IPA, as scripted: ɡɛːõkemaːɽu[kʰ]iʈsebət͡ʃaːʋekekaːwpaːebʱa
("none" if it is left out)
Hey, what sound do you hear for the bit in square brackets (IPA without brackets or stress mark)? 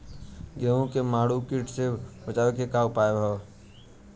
k